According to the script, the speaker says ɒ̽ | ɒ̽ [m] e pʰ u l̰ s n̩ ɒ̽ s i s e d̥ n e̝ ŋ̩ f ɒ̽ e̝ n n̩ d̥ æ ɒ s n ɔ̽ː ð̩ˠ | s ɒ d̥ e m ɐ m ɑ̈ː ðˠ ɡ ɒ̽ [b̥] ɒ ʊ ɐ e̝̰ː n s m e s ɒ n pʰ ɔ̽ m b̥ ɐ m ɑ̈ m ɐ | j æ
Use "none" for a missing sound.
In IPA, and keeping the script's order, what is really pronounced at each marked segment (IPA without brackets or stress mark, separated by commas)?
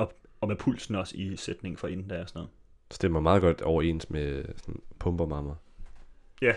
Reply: m, d̥